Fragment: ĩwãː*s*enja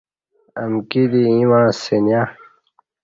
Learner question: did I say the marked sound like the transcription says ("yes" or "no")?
yes